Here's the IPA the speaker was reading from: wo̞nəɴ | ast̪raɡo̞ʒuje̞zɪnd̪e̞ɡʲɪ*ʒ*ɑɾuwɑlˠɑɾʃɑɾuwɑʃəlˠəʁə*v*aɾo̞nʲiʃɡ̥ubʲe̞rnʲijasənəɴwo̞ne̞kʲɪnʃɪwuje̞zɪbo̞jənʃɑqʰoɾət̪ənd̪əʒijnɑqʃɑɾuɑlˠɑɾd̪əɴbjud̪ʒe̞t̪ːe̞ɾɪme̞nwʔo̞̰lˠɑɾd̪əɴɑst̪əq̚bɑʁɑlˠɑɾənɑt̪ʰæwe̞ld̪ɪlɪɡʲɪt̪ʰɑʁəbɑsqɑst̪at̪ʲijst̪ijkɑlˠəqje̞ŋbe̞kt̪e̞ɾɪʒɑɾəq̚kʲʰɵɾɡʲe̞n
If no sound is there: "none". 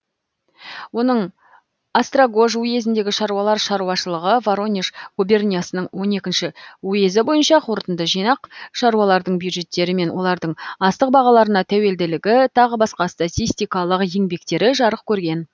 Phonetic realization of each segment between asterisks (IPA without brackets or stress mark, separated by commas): ʃ, v